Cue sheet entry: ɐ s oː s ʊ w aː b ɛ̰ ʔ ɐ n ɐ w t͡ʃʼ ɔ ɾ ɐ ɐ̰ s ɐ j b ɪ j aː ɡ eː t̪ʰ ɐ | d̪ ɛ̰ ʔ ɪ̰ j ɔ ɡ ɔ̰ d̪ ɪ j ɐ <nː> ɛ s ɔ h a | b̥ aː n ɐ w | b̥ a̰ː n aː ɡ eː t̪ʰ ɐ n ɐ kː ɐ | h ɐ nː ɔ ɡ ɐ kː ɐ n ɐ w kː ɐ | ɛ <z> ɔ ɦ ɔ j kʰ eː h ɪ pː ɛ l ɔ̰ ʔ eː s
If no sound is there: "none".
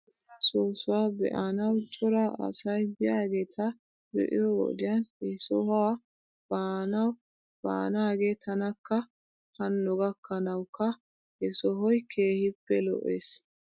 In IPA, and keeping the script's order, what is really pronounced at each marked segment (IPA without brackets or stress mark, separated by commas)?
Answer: n, s